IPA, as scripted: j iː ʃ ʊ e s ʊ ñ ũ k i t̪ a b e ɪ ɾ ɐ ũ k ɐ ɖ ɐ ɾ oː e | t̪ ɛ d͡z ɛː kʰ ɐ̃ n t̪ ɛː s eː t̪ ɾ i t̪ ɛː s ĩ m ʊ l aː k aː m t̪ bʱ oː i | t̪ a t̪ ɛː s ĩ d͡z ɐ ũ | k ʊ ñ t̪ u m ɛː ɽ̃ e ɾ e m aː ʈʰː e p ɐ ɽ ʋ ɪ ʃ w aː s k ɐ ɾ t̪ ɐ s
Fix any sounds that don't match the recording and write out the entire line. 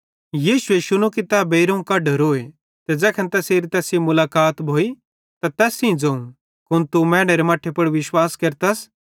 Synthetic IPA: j iː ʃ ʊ e ʃ ʊ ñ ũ k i t̪ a b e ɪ ɾ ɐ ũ k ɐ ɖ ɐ ɾ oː e | t̪ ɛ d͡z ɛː kʰ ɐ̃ n t̪ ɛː s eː ɾ i t̪ ɛː s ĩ m ʊ l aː k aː t̪ bʱ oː i | t̪ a t̪ ɛː s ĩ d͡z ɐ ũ | k ʊ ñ t̪ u m ɛː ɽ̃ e ɾ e m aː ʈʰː e p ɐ ɽ ʋ ɪ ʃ w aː s k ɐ ɾ t̪ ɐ s